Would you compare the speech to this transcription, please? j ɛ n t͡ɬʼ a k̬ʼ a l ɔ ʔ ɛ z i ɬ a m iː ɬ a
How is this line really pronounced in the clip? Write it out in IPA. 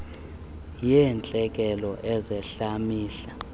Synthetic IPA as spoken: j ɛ n t͡ɬʼ ɛ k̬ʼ ɛ l ɔ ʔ ɛ z ɛ ɬ a m iː ɬ a